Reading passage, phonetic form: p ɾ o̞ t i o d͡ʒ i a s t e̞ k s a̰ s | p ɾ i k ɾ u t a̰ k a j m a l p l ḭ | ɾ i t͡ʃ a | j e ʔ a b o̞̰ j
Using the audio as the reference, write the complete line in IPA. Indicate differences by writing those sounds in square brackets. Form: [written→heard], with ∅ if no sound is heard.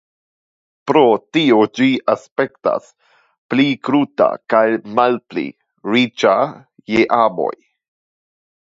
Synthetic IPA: p ɾ o̞ t i o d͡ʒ i a s [t→p] e̞ k [s→t] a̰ s | p [ɾ→l] i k ɾ u t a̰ k a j m a l p l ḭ | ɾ i t͡ʃ a | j e ʔ a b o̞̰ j